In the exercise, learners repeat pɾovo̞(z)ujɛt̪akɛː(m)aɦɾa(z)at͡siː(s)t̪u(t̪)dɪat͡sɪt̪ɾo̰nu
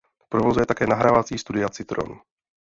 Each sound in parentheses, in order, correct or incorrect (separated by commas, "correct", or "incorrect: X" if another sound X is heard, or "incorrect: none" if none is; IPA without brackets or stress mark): correct, incorrect: n, incorrect: v, correct, incorrect: none